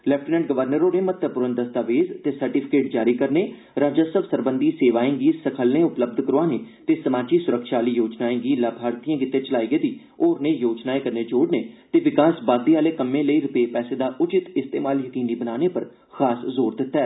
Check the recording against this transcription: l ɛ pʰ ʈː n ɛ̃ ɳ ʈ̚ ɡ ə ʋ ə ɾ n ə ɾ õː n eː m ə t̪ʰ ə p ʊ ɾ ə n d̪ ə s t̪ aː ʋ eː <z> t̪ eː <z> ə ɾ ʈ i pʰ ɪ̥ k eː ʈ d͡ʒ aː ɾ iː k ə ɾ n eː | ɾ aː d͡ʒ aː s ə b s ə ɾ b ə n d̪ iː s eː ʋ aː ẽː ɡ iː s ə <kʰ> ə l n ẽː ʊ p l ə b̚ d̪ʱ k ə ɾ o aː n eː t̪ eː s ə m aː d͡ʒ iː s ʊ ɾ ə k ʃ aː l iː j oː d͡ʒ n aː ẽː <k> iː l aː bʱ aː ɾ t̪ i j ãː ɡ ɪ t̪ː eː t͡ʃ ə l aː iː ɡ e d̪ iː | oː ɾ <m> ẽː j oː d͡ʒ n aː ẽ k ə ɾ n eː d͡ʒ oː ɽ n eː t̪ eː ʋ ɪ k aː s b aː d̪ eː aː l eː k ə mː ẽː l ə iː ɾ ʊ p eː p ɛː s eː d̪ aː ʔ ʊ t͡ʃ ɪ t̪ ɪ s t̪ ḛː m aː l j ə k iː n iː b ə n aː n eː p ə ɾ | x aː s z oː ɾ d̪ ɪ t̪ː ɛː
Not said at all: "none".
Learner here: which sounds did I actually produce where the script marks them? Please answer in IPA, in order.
z, s, kʰ, ɡ, n

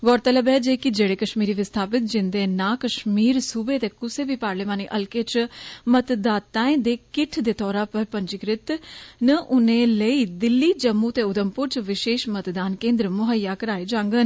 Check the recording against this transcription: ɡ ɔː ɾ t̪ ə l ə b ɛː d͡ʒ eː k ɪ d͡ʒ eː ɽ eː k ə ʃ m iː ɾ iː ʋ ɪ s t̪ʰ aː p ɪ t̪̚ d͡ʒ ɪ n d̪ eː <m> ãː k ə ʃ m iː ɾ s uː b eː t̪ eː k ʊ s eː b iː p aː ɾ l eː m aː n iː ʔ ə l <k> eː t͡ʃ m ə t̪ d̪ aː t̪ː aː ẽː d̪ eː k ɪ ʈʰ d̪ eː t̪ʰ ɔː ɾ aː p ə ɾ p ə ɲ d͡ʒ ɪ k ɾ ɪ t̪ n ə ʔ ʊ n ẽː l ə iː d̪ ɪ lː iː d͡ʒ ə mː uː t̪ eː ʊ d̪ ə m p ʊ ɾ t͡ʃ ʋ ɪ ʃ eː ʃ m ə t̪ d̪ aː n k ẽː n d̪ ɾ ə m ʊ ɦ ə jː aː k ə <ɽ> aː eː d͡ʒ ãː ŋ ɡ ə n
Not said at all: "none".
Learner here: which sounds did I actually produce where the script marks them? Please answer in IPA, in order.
n, k, ɾ

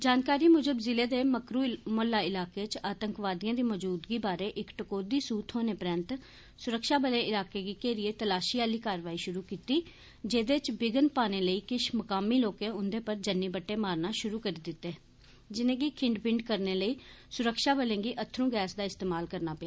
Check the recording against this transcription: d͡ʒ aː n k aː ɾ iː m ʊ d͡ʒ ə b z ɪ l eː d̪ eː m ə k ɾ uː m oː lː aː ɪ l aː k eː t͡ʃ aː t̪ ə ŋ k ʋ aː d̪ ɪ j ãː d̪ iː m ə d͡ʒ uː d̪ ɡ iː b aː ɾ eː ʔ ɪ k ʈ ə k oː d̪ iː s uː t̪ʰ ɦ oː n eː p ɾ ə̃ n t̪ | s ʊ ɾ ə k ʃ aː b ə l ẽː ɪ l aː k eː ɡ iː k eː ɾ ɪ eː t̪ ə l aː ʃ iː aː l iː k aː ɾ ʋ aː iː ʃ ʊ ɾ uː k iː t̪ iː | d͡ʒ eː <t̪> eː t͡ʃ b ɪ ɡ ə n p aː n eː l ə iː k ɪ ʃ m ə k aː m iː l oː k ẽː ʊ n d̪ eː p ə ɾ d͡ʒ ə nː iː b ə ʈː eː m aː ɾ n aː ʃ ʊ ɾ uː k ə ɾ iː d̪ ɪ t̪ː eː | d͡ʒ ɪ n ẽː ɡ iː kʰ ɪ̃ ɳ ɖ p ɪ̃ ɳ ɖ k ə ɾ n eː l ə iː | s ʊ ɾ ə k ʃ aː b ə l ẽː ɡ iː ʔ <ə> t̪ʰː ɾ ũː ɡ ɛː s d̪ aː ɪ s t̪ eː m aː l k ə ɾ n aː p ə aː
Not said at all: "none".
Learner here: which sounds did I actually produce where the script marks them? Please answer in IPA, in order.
d̪, ə

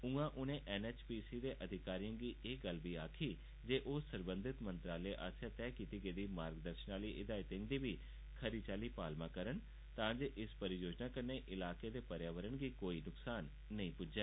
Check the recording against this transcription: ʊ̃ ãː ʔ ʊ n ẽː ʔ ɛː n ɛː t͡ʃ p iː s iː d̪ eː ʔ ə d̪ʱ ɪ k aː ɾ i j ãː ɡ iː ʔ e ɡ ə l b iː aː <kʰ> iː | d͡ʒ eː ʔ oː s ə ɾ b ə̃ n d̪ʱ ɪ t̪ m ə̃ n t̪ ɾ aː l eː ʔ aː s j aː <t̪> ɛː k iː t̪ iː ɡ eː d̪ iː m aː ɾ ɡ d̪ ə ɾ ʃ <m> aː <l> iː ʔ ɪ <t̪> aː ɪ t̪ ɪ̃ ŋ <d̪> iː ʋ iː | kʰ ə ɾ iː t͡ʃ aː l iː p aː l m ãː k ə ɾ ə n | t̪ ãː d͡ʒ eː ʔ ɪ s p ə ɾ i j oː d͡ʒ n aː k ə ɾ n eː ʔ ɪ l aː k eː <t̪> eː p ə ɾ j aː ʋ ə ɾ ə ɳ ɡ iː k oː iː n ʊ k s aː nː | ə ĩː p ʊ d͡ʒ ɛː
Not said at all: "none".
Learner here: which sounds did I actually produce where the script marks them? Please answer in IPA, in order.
kʰ, t̪, n, l, d̪, d̪, d̪

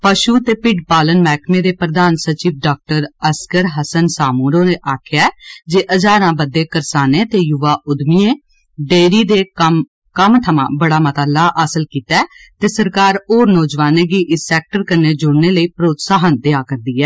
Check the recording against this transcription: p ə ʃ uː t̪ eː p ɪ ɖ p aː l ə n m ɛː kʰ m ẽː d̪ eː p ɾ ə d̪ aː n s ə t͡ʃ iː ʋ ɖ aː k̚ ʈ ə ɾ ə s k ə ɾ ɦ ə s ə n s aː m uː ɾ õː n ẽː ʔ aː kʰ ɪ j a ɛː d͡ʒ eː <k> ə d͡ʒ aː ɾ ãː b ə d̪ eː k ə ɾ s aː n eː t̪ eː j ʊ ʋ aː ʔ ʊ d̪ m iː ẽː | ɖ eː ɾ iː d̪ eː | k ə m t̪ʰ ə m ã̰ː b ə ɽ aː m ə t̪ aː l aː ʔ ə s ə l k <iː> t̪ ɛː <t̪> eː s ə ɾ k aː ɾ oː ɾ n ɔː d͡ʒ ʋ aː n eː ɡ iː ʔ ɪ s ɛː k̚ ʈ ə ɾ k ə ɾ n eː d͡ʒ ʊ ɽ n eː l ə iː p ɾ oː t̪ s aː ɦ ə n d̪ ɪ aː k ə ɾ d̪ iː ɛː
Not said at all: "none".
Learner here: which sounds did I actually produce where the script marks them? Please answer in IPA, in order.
ʔ, iː, t̪

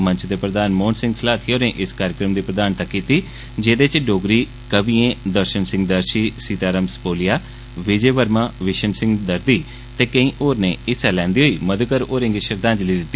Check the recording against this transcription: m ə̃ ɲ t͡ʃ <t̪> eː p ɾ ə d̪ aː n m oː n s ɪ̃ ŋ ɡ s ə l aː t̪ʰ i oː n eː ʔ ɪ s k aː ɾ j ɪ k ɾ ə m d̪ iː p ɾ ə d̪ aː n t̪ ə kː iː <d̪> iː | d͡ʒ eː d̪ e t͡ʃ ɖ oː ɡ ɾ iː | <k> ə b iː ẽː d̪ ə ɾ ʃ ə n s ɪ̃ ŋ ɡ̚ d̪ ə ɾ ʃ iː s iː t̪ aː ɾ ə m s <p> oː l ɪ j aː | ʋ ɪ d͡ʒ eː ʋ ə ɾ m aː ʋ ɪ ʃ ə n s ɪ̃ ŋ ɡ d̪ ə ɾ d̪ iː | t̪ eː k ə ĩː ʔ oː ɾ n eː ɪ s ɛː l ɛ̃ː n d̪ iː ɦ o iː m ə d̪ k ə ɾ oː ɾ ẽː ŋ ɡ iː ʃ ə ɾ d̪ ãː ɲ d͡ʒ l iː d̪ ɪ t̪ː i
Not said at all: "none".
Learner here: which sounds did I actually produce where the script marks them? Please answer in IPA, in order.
d̪, t̪, k, p

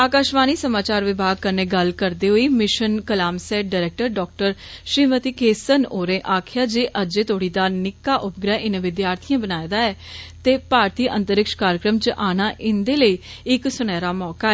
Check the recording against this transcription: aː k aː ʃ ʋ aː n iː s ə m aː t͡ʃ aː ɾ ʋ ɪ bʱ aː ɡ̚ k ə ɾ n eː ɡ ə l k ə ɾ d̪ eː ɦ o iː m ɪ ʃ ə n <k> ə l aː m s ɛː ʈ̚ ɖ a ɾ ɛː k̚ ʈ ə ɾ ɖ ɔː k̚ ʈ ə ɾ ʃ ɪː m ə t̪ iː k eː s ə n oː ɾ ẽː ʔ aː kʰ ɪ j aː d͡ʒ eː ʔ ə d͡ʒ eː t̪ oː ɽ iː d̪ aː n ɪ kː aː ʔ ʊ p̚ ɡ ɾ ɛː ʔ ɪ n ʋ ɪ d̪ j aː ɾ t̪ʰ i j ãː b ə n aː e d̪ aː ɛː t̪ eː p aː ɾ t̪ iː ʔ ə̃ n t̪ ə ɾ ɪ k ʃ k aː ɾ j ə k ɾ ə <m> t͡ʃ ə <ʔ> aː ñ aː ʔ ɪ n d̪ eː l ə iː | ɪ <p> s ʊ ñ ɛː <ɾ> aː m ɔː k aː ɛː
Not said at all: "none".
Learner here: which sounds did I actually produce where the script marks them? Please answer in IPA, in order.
k, m, ʔ, k, ɾ

